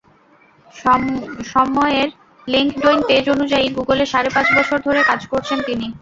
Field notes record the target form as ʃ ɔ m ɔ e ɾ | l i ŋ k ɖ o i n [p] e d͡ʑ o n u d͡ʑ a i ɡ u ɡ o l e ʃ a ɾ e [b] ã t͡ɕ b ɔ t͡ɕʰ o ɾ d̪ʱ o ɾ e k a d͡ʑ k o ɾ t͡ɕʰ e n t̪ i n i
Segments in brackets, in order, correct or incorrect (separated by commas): correct, incorrect